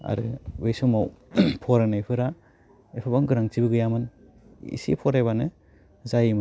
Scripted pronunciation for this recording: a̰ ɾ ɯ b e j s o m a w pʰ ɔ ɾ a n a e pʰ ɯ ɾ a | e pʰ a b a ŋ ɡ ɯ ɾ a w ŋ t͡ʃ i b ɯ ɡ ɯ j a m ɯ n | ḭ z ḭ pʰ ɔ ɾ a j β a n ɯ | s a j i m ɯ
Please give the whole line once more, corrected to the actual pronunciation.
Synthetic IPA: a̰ ɾ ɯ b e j s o m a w pʰ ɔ ɾ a n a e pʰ ɯ ɾ a | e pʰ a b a ŋ ɡ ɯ ɾ a ŋ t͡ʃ i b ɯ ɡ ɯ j a m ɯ n | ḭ s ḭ pʰ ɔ ɾ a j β a n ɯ | z a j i m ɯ